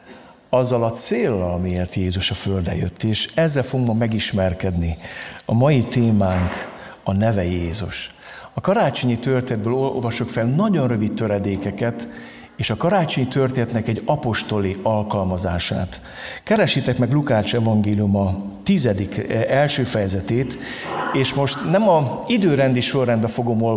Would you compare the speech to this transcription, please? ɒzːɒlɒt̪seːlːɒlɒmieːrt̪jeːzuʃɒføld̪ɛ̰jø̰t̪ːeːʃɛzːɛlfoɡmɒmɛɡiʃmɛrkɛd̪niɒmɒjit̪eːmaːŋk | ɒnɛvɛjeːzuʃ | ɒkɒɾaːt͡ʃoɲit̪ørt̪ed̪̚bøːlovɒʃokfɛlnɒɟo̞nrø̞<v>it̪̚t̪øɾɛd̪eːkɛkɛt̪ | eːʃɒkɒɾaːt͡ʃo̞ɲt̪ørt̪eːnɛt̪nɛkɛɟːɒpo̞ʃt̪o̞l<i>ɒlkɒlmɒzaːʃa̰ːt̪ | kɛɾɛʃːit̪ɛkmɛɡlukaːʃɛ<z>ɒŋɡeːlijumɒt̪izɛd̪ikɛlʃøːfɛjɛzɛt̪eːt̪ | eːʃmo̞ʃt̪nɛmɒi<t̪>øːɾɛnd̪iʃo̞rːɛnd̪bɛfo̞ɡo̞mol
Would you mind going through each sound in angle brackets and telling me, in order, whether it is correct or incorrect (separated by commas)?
correct, correct, incorrect, incorrect